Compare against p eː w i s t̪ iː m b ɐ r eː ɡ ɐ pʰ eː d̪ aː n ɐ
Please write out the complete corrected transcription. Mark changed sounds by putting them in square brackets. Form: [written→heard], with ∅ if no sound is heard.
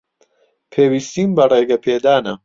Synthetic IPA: [p→pʰ] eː w i s t̪ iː m b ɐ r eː ɡ ɐ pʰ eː d̪ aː n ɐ

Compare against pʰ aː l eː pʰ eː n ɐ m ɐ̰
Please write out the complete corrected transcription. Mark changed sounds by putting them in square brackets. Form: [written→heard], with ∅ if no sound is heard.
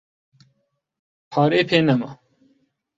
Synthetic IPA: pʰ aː [l→ɾ] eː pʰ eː n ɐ m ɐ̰

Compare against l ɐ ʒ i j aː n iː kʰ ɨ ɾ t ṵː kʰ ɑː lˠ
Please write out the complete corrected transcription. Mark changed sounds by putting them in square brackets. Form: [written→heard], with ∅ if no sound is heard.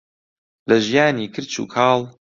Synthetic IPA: l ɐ ʒ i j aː n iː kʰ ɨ ɾ [t→t͡ʃ] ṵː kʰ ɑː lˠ

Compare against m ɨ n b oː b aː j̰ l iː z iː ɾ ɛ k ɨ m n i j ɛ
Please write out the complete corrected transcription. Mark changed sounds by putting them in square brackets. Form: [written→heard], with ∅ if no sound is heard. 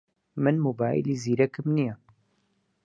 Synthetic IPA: m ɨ n [b→m] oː b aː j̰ l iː z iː ɾ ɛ k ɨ m n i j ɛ

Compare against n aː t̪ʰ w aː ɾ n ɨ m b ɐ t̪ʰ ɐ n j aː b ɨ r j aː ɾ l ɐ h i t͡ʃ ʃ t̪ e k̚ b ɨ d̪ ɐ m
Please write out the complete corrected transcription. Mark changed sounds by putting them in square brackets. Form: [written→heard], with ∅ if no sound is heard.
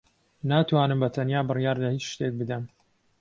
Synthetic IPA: n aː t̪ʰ w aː [ɾ→∅] n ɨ m b ɐ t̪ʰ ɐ n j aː b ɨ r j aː ɾ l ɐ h i t͡ʃ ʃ t̪ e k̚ b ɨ d̪ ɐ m

